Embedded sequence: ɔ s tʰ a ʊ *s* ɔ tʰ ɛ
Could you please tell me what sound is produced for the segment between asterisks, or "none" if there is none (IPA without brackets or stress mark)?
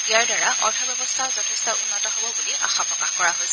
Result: z